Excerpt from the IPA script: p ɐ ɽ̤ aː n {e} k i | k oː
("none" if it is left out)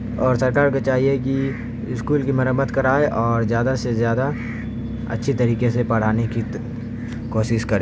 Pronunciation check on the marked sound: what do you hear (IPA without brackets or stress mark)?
e